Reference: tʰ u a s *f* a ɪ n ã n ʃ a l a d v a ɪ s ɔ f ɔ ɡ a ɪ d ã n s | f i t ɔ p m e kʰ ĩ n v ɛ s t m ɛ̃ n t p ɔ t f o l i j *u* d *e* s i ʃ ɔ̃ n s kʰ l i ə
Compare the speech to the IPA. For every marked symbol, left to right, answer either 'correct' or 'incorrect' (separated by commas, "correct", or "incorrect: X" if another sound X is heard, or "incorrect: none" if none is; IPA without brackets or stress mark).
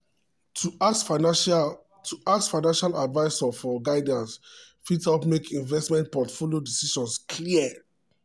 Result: correct, incorrect: o, incorrect: i